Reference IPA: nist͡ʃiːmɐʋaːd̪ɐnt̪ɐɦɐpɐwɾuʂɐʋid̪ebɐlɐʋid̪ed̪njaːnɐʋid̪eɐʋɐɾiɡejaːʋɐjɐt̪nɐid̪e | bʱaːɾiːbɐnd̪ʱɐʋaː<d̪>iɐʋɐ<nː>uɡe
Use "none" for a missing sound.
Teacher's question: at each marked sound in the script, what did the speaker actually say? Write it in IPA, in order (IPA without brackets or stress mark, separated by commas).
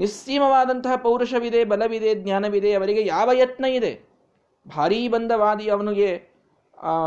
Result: d̪, n